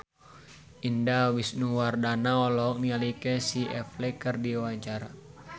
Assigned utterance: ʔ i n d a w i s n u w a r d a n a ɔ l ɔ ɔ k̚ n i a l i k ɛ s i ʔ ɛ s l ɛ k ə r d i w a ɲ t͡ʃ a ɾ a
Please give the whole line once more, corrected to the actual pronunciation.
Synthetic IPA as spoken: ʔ i n d a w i s n u w a r d a n a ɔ l ɔ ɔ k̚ n i a l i k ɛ s i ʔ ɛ f l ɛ k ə r d i w a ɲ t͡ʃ a ɾ a